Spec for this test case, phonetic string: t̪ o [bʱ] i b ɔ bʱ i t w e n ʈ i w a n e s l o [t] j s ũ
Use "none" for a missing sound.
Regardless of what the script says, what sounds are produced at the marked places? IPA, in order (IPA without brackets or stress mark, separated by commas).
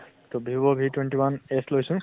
bʱ, none